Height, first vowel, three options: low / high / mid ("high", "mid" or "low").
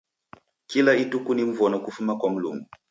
high